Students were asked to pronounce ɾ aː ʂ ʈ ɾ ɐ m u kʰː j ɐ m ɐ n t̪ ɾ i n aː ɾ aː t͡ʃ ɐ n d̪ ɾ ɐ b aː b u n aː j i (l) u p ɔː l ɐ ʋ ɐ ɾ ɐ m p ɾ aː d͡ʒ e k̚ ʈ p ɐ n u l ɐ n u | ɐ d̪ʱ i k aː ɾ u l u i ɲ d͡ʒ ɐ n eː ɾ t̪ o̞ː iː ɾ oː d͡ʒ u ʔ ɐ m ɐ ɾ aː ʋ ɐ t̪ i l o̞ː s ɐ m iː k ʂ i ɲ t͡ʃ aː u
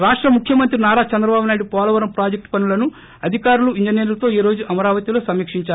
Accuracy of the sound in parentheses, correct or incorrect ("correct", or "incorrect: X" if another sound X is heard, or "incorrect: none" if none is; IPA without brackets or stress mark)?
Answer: incorrect: ɽ